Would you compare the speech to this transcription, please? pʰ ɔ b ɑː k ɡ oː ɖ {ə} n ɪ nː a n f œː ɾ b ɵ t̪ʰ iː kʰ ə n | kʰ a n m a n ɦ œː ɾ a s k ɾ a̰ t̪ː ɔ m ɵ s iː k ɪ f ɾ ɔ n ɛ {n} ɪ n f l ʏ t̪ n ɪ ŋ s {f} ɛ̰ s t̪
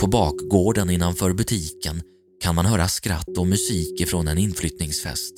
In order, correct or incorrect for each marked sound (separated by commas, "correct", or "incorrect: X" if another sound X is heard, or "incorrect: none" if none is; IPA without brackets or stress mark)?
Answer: correct, correct, correct